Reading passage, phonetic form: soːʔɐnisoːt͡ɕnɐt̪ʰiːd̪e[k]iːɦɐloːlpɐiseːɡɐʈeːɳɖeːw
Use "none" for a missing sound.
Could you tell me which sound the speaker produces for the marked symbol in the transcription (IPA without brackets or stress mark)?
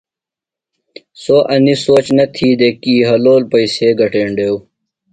k